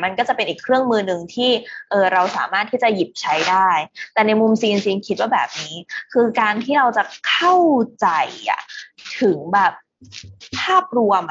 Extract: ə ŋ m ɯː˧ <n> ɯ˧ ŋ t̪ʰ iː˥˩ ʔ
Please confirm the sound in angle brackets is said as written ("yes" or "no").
yes